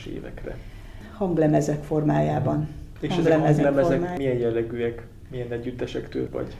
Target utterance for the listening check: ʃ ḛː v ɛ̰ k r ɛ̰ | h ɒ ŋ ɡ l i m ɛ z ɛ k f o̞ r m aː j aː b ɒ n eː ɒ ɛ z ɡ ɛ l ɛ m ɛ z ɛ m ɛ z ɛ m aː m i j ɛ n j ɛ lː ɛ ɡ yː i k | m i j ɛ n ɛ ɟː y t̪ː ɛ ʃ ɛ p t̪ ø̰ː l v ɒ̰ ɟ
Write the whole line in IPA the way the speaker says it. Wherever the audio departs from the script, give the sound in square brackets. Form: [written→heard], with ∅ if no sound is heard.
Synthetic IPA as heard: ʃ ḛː v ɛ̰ k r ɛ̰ | h ɒ ŋ ɡ l [i→ɛ] m ɛ z ɛ k f o̞ r m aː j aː b ɒ n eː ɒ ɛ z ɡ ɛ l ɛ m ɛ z ɛ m ɛ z ɛ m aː m i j ɛ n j ɛ lː ɛ ɡ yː [i→ɛ] k | m i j ɛ n ɛ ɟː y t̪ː ɛ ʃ ɛ [p→k] t̪ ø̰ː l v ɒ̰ ɟ